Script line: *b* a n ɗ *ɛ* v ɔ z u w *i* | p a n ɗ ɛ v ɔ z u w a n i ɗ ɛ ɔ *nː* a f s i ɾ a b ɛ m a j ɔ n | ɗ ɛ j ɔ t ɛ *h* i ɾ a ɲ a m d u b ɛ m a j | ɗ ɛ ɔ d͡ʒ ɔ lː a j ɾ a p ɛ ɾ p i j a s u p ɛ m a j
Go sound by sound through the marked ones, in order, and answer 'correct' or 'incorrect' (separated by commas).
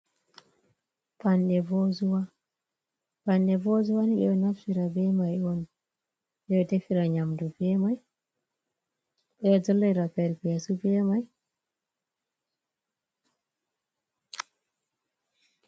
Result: incorrect, correct, incorrect, incorrect, incorrect